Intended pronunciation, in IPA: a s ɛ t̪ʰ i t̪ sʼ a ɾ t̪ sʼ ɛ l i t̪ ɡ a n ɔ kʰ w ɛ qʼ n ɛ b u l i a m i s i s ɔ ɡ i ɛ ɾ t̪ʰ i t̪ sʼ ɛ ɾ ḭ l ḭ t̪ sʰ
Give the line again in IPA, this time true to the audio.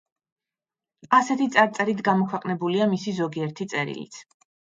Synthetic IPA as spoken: a s ɛ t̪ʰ i t̪ sʼ a ɾ t̪ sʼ ɛ ɾ i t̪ ɡ a m ɔ kʰ w ɛ qʼ n ɛ b u l i a m i s i z ɔ ɡ i ɛ ɾ t̪ʰ i t̪ sʼ ɛ ɾ ḭ l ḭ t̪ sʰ